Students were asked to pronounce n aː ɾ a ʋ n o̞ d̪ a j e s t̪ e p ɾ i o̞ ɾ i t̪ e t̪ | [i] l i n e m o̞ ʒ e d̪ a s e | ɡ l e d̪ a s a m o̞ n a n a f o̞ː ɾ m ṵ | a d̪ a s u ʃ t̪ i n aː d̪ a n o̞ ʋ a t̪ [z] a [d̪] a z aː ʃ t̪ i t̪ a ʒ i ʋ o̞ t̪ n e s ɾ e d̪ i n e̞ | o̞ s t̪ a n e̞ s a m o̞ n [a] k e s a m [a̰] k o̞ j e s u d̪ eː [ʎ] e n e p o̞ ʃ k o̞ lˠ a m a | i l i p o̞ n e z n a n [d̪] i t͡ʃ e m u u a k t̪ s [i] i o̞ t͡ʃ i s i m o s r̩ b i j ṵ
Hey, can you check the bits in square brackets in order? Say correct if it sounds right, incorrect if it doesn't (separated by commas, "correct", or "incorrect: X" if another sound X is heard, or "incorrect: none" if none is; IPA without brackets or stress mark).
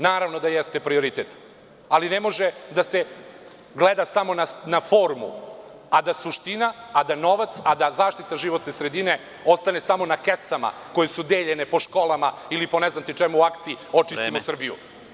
incorrect: a, incorrect: s, correct, correct, correct, correct, incorrect: t̪, correct